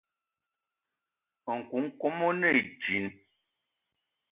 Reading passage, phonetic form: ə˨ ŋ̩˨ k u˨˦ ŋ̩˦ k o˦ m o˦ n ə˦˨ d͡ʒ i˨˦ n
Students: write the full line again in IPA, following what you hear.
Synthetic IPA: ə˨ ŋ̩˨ k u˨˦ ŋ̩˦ k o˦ m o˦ n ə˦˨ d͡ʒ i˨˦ n